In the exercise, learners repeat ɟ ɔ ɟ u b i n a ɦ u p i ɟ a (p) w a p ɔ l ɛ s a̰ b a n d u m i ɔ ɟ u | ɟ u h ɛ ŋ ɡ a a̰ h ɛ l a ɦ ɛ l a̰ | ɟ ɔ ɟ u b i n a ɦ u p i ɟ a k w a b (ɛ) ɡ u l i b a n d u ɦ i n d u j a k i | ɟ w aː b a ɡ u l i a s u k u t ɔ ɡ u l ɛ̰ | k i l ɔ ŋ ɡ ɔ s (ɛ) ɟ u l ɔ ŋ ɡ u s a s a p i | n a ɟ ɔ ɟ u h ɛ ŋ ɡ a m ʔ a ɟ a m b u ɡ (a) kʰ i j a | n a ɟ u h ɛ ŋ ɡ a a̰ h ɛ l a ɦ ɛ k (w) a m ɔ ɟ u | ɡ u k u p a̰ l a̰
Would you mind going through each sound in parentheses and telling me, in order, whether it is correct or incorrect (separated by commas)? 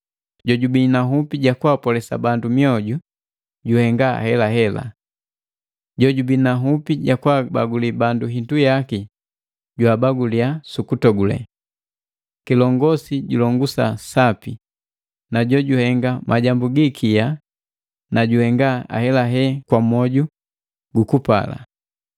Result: incorrect, incorrect, incorrect, incorrect, correct